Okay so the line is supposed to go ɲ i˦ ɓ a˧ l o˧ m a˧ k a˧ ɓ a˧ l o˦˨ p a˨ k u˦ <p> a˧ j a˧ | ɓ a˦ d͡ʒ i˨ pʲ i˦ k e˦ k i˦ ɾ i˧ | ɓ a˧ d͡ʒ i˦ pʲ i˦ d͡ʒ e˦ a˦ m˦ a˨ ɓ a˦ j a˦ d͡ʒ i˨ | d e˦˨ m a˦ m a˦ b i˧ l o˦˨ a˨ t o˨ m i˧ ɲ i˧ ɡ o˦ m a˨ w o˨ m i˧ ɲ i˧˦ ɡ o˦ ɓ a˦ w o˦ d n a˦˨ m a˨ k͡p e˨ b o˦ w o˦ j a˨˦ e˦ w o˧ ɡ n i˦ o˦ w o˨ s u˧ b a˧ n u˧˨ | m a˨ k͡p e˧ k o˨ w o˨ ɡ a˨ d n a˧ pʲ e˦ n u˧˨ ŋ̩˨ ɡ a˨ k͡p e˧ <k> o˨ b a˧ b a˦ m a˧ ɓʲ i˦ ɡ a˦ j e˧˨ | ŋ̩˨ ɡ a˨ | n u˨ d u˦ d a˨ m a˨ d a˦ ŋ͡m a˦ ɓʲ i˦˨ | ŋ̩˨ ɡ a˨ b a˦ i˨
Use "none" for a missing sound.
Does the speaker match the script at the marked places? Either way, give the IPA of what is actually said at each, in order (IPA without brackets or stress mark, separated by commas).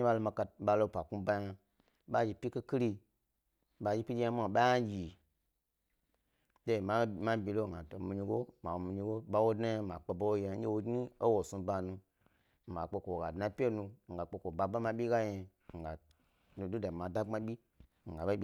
b, k